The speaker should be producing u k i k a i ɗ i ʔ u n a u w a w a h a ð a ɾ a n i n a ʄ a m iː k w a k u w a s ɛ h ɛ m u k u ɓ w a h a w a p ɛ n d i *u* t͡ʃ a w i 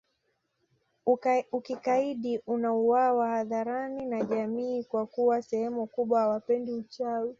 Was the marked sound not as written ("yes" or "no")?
no